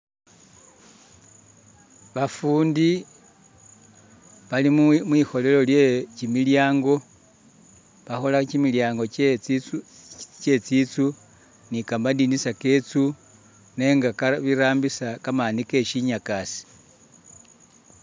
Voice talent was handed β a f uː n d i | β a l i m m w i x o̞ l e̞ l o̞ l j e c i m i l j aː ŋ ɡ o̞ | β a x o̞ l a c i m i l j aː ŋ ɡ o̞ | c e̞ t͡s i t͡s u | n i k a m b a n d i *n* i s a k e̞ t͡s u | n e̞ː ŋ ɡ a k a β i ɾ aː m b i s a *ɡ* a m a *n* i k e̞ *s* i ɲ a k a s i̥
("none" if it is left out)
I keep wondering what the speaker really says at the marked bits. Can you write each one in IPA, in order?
n, k, n, ʃ

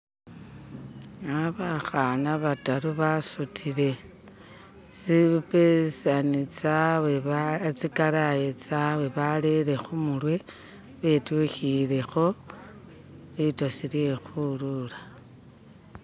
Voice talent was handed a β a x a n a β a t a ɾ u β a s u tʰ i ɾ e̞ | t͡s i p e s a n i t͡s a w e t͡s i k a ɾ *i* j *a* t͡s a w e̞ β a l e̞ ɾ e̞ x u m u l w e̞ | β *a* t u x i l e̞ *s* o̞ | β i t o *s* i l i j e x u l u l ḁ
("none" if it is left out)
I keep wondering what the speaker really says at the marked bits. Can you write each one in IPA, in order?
a, e, e, x, s

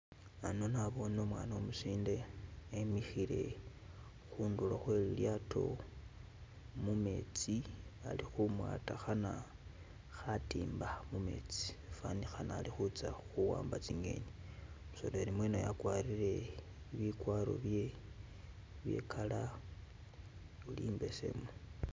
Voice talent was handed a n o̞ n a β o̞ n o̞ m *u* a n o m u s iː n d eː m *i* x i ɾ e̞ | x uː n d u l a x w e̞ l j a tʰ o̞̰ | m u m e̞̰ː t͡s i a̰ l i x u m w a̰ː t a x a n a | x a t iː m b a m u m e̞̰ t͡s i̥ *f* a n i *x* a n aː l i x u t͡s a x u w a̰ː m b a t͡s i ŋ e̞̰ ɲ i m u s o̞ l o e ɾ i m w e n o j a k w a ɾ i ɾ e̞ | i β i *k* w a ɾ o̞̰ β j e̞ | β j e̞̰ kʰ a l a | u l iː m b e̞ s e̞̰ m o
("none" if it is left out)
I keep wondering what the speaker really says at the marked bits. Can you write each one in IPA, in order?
w, i, f, x, k

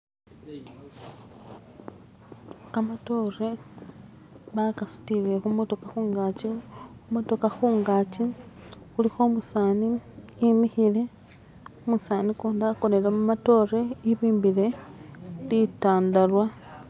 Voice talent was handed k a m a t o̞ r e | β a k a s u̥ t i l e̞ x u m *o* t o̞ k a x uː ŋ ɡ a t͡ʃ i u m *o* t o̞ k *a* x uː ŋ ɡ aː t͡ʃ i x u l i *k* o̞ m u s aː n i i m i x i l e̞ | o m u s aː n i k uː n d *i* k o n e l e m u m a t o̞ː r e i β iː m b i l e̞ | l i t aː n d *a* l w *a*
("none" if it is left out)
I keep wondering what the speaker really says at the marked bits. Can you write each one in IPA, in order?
o, o, a, x, a, a, a

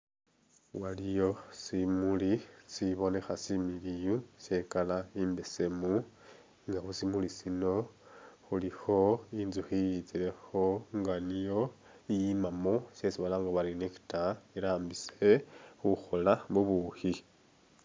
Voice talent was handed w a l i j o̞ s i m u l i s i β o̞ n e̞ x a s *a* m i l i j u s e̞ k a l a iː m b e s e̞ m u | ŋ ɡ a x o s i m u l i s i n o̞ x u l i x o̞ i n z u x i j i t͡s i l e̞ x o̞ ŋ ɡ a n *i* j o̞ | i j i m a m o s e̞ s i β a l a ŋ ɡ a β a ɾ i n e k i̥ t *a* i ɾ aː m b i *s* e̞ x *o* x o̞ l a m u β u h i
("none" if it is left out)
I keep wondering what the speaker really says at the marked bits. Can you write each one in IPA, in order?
i, i, a, s, u

